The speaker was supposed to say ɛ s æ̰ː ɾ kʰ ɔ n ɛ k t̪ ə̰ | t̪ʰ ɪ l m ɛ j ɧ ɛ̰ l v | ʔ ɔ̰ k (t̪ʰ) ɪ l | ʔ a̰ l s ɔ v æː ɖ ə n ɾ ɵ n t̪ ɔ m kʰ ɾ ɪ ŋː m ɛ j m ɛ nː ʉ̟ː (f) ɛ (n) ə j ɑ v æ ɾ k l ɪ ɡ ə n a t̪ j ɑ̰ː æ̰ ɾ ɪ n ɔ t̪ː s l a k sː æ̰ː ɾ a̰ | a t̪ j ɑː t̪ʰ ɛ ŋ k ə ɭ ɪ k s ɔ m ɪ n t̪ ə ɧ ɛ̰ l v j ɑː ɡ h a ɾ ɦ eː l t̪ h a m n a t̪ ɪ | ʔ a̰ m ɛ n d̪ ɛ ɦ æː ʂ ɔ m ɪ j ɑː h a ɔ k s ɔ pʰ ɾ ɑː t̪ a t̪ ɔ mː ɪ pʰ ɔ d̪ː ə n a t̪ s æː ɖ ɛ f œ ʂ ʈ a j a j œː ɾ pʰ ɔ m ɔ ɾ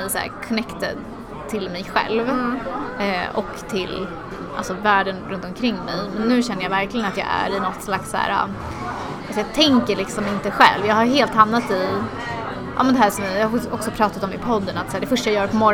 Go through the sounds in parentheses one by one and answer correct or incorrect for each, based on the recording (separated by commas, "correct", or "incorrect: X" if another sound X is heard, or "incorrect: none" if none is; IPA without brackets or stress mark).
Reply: correct, incorrect: ɕ, incorrect: nː